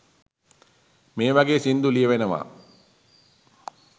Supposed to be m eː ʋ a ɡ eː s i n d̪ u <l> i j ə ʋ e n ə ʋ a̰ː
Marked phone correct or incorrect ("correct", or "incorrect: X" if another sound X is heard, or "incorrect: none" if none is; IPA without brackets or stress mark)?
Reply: correct